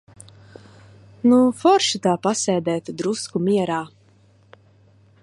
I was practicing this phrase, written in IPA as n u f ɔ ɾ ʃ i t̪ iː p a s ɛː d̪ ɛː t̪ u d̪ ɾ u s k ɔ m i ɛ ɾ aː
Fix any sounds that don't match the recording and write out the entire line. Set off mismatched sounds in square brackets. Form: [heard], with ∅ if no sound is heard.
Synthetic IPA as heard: n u f ɔ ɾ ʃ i t̪ [aː] p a s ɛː d̪ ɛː t̪ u d̪ ɾ u s k [u] m i ɛ ɾ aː